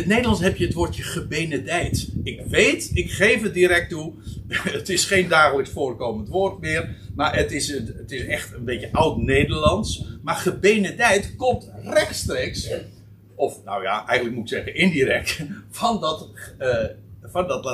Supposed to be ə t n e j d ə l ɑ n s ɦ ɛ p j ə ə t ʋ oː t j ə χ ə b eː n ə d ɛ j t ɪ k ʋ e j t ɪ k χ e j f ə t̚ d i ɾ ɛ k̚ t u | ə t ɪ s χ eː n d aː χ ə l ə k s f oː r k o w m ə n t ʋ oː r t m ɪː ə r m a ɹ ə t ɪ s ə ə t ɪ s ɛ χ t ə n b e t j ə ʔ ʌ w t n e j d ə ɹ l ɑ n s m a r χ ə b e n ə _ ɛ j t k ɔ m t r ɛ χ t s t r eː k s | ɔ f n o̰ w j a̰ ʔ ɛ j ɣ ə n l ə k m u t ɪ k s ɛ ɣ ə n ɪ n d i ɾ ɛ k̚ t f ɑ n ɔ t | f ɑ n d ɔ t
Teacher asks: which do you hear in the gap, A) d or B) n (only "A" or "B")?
A